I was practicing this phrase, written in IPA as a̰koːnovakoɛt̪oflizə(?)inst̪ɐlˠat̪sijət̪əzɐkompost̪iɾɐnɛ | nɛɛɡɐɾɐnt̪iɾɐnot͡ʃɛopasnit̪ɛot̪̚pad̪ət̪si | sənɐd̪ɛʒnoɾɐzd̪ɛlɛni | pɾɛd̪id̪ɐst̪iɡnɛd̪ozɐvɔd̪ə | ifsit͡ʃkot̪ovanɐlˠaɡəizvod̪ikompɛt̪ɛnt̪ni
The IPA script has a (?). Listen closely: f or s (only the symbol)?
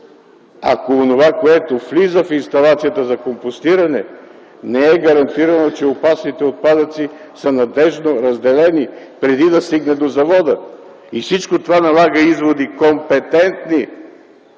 f